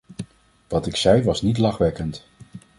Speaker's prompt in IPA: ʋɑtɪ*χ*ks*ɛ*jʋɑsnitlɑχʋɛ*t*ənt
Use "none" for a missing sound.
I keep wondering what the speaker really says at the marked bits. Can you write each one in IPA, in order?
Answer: none, ɛ, k

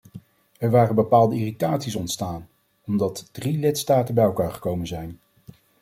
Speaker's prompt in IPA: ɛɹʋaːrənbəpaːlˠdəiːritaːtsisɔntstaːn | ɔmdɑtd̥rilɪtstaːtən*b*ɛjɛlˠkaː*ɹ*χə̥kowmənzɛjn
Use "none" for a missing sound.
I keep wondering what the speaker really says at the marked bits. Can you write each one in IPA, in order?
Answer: b, ɹ

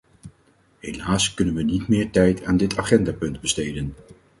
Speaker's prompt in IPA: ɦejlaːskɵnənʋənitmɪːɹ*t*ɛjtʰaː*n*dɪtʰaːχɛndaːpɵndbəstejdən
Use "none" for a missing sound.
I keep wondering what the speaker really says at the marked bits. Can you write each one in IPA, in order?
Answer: t, n

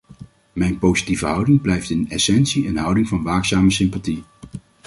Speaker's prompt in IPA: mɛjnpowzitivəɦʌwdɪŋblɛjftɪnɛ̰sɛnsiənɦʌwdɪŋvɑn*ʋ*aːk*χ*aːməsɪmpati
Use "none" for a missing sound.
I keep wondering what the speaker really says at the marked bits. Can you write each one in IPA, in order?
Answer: ʋ, s

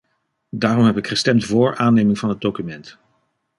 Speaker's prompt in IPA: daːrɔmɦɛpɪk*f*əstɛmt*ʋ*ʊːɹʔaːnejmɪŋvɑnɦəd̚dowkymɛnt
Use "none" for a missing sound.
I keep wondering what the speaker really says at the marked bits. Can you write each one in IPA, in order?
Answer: χ, v

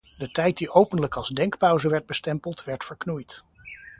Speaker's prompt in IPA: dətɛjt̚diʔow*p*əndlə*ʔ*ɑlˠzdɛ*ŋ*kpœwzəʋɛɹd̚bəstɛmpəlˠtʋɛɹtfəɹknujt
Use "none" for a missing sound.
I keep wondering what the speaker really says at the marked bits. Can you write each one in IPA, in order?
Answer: p, k, ŋ

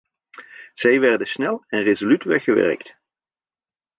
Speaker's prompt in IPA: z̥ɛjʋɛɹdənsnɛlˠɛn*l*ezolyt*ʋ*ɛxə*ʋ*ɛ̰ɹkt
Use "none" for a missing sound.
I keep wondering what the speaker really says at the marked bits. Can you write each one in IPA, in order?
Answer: r, ʋ, ʋ

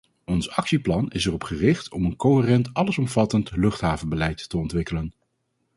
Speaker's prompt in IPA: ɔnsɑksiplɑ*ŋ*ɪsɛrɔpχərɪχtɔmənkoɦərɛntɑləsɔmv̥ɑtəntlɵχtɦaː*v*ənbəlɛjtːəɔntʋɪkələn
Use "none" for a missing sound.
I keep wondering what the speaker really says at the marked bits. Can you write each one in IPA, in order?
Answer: n, v

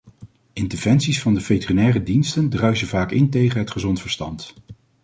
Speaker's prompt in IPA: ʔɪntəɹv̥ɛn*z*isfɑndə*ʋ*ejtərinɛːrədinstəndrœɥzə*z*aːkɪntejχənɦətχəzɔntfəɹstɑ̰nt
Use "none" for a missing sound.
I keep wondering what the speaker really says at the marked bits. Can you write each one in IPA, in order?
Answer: s, v, v

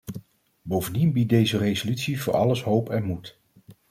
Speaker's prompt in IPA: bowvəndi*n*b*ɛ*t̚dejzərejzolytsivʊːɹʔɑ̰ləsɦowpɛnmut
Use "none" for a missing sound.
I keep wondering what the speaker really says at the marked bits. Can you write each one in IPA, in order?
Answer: n, i

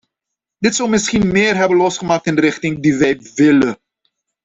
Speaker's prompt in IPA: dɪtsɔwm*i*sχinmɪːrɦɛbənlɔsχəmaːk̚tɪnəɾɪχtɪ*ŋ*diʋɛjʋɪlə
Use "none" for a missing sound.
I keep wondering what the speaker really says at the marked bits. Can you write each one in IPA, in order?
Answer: ɪ, ŋ

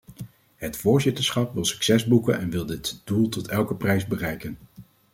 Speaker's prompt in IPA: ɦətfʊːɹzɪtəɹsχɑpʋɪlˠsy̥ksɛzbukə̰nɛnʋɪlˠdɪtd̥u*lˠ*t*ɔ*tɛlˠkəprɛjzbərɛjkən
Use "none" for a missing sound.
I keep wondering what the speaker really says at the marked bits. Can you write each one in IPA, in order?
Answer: lˠ, ɔ

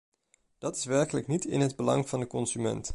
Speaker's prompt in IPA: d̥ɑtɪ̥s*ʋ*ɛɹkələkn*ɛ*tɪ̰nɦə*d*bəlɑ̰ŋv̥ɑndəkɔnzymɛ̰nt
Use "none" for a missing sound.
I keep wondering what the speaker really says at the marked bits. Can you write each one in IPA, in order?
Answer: ʋ, i, d

